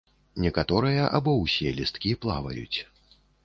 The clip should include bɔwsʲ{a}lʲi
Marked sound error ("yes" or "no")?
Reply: yes